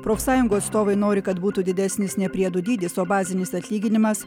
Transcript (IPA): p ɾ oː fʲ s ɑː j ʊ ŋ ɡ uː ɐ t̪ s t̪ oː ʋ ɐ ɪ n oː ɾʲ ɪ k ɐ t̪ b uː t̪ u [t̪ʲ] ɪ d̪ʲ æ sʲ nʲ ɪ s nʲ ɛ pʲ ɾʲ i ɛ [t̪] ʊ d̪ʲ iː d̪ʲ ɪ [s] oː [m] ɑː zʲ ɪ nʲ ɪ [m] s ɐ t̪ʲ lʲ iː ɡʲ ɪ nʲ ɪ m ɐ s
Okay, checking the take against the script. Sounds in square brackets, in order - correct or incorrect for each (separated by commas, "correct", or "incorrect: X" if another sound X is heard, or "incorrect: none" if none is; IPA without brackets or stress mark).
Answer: incorrect: d̪ʲ, incorrect: d̪, correct, incorrect: b, incorrect: none